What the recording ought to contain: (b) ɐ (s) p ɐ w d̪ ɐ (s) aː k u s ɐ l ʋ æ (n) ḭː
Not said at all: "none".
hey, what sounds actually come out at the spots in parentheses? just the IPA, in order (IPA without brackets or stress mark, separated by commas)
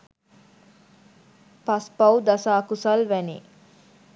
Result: p, s, s, n